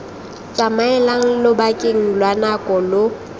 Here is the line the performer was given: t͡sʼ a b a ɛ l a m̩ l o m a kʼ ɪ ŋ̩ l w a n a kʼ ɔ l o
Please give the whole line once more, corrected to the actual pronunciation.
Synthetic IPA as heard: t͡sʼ a m a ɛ l a ŋ̩ l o b a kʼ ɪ ŋ̩ l w a n a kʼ ɔ l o